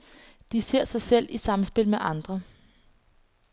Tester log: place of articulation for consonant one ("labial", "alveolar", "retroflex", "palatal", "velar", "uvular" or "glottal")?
alveolar